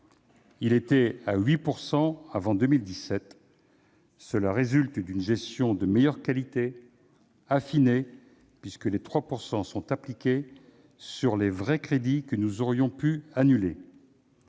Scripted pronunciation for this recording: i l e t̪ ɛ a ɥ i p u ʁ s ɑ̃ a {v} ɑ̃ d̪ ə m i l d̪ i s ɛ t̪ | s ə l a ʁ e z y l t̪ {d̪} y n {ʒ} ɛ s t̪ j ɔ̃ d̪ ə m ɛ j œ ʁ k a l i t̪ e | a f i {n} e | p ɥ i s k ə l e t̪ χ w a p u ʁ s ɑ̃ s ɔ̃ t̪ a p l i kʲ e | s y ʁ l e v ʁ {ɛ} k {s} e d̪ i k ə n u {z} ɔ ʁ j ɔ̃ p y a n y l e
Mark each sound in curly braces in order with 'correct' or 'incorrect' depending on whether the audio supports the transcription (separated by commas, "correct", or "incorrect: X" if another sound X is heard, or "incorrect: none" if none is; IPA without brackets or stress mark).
correct, correct, correct, correct, correct, incorrect: χ, correct